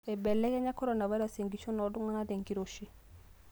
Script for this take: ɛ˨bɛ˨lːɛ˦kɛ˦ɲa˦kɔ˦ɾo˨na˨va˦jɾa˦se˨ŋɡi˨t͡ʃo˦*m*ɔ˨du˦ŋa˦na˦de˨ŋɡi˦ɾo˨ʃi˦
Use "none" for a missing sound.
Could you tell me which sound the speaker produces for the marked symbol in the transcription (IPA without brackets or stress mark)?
n